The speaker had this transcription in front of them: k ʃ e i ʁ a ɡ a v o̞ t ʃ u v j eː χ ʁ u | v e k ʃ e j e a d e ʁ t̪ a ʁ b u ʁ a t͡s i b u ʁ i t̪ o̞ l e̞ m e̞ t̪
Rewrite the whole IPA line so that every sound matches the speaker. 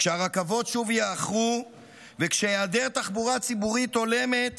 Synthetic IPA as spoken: k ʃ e a ʁ a k a v o̞ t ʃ u v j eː χ ʁ u | v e k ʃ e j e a d e ʁ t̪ a χ b u ʁ a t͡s i b u ʁ i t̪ o̞ l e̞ m e̞ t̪